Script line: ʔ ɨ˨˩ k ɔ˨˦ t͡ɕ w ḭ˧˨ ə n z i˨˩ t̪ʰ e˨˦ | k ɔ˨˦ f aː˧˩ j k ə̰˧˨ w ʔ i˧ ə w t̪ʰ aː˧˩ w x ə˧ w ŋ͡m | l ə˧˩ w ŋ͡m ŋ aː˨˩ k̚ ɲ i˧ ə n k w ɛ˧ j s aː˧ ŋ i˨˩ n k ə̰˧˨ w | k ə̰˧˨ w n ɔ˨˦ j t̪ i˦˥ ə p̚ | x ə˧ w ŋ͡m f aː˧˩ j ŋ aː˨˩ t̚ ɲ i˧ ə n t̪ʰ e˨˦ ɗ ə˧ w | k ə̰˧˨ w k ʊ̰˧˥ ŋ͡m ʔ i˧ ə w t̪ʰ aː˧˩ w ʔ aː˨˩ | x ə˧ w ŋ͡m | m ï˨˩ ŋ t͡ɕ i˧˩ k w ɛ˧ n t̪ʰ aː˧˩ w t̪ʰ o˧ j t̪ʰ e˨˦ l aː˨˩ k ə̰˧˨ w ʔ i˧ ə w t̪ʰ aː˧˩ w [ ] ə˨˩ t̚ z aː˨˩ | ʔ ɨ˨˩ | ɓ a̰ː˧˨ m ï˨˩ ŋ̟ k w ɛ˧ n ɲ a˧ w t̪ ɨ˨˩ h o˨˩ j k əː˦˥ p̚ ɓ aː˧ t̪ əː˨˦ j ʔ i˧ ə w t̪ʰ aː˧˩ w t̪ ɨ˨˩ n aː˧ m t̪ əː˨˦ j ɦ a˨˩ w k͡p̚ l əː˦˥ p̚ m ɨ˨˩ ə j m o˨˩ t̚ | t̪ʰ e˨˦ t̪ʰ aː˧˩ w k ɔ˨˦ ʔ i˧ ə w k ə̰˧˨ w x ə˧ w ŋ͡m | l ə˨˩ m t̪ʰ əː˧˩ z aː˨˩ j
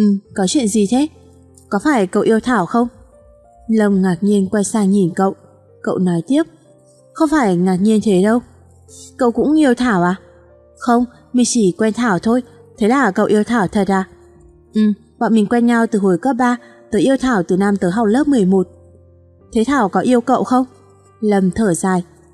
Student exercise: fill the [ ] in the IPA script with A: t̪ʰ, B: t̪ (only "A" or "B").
A